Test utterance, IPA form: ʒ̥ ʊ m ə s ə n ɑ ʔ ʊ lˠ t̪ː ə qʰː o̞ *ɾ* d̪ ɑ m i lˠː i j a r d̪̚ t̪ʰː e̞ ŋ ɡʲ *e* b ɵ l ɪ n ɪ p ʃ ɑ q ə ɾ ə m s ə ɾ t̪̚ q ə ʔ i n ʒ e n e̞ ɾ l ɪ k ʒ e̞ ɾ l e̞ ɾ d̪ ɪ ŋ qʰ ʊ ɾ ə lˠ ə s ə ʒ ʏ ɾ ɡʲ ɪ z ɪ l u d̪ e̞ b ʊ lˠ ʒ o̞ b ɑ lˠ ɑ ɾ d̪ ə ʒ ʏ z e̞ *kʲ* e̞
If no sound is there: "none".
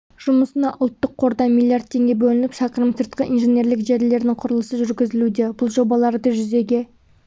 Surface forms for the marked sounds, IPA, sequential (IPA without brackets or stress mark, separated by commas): ɾ, e, ɡʲ